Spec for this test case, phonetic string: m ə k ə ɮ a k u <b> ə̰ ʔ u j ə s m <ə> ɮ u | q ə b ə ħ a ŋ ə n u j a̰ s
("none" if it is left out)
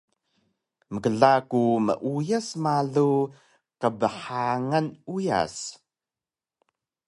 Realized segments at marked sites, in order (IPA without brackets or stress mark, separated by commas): m, a